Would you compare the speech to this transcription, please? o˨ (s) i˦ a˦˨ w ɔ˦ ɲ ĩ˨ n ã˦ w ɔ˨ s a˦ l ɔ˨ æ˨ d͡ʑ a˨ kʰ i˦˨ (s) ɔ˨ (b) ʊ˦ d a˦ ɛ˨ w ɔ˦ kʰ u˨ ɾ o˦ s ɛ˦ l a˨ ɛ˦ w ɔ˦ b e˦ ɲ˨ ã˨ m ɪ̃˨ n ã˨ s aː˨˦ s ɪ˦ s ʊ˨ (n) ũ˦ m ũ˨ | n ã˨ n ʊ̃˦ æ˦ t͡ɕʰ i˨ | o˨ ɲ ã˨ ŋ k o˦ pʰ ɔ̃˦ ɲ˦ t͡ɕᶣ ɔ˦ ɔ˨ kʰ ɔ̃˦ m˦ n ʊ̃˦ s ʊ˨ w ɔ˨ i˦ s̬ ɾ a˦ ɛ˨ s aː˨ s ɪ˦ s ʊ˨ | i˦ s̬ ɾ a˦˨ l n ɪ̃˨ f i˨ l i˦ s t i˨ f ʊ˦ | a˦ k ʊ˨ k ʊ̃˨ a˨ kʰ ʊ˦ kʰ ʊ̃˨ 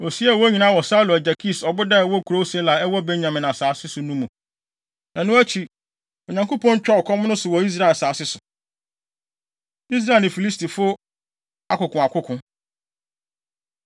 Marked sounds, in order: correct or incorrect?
correct, correct, correct, correct

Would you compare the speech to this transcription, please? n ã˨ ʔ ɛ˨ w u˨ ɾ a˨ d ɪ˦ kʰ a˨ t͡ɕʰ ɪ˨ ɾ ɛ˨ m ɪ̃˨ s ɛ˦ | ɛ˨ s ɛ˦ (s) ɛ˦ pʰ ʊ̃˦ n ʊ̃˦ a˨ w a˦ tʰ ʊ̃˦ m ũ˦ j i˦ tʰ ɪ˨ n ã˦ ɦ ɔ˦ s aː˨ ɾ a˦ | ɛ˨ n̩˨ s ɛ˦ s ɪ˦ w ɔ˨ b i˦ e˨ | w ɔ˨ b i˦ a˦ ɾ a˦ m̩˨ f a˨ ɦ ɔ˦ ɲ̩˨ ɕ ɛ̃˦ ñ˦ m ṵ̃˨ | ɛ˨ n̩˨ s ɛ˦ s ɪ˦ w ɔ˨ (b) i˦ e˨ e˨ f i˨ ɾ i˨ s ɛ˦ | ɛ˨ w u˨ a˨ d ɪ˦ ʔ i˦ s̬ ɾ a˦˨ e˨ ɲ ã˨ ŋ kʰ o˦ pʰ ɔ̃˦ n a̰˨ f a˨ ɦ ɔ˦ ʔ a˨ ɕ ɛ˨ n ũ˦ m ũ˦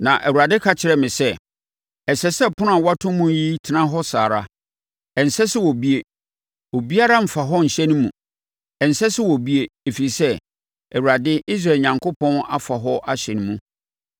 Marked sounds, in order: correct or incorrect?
correct, correct

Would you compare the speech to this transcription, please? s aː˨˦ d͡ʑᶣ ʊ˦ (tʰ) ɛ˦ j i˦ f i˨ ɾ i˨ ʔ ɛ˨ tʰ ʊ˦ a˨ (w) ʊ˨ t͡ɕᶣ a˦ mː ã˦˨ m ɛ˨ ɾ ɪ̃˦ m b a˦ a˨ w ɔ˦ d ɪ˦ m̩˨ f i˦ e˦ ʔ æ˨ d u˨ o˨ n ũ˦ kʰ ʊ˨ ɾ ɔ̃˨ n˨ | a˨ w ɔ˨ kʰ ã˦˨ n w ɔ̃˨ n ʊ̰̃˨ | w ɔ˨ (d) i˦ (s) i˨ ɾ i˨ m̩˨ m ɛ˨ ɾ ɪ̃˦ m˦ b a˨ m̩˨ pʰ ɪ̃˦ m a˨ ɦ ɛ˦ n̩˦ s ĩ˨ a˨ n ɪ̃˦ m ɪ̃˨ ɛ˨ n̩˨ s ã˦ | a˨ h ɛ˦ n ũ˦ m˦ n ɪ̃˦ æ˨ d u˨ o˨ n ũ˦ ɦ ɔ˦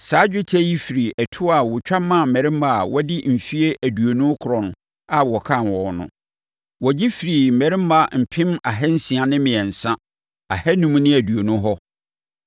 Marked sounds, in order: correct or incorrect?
correct, correct, incorrect, incorrect

